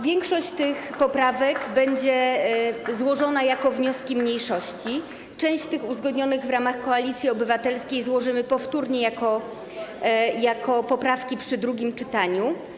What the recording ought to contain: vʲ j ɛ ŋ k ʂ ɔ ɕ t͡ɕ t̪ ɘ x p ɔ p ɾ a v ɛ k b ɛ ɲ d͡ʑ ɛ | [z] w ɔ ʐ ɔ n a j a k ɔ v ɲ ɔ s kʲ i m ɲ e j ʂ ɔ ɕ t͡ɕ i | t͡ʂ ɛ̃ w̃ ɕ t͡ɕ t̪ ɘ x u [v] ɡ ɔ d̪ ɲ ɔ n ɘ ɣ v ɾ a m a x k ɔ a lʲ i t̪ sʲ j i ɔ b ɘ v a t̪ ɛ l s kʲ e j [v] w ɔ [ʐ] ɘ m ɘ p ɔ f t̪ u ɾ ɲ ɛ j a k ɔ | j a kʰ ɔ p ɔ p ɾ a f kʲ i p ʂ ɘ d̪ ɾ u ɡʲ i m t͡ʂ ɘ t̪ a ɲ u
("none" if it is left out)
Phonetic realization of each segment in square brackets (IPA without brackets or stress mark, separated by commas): z, z, z, ʐ